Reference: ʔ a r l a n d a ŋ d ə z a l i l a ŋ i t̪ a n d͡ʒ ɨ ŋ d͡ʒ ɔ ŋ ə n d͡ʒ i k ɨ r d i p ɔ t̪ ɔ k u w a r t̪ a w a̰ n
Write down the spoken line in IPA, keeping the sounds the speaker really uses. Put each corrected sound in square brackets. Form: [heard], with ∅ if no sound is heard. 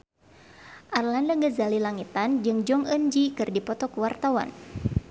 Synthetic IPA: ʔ a r l a n d a ŋ [ɡ] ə z a l i l a ŋ i t̪ a n d͡ʒ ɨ ŋ d͡ʒ ɔ ŋ ə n d͡ʒ i k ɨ r d i p ɔ t̪ ɔ k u w a r t̪ a w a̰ n